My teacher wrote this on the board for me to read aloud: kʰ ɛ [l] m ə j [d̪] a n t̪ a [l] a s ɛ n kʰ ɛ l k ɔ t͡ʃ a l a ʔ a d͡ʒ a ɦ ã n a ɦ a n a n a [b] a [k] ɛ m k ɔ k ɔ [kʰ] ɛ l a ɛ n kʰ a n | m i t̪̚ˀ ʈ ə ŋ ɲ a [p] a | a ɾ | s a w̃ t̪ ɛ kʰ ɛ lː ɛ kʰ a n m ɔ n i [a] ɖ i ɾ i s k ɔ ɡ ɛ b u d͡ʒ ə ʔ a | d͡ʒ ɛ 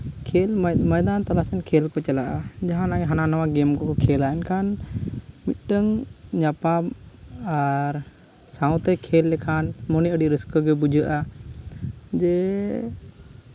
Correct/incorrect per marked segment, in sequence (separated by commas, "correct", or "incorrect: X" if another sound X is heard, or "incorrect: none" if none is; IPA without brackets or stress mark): correct, correct, correct, incorrect: w, incorrect: ɡ, correct, correct, incorrect: ə